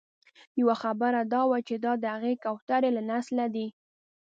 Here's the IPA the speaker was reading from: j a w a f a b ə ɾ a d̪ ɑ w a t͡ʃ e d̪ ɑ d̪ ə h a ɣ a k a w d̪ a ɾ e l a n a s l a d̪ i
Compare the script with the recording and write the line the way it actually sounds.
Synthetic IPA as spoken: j a w a x a b ə ɾ a d̪ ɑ w a t͡ʃ e d̪ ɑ d̪ ə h a ɣ e k a w t̪ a ɾ e l a n a s l a d̪ i